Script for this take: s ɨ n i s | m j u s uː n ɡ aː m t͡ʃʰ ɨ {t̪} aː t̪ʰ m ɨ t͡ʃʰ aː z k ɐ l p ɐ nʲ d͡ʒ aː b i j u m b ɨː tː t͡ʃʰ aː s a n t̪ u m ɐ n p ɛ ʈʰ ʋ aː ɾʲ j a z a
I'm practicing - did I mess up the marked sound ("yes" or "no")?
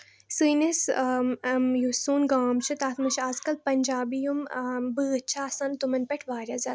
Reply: no